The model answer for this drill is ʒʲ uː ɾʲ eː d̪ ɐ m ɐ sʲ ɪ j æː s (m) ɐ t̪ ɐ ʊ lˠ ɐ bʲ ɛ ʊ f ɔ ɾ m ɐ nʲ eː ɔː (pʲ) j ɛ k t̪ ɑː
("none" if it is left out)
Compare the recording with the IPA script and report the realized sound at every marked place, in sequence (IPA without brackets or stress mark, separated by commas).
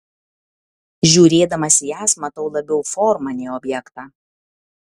m, bʲ